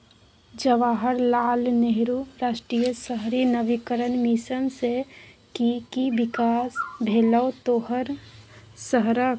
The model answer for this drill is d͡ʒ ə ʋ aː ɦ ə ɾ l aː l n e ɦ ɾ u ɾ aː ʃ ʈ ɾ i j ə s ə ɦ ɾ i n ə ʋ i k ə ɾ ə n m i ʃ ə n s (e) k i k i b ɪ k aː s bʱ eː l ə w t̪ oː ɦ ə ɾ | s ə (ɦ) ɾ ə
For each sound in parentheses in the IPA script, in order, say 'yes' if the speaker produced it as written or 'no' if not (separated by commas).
yes, yes